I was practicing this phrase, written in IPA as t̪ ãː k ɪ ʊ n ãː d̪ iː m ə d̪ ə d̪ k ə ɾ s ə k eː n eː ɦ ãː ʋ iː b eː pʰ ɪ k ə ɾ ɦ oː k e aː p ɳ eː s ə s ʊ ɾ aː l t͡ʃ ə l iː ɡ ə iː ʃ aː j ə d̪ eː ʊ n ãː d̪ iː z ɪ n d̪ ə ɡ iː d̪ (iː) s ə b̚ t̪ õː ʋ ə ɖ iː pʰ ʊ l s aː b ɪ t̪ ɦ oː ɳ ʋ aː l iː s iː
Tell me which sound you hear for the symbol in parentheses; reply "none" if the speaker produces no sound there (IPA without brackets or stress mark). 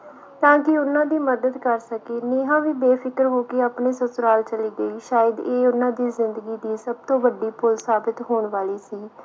iː